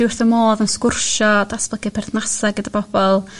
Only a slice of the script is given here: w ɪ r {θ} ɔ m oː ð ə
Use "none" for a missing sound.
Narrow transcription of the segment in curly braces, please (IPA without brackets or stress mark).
θ